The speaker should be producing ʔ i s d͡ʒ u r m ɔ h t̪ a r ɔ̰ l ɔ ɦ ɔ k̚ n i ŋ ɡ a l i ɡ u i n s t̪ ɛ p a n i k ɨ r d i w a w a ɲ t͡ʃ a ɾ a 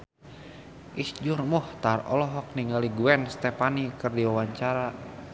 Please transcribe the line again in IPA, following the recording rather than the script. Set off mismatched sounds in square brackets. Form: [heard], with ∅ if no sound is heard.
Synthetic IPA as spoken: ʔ i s d͡ʒ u r m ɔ h t̪ a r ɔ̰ l ɔ ɦ ɔ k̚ n i ŋ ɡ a l i ɡ u [ɛ] n s t̪ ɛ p a n i k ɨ r d i w a w a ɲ t͡ʃ a ɾ a